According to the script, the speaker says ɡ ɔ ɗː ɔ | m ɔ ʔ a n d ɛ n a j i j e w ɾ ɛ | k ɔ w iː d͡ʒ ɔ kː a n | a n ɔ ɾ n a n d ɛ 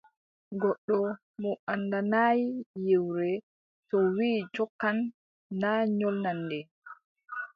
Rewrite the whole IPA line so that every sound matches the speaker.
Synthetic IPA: ɡ ɔ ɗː ɔ | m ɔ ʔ a n d a n a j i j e w ɾ ɛ | t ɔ w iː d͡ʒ ɔ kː a nː | a ɲ ɔ l n a n d ɛ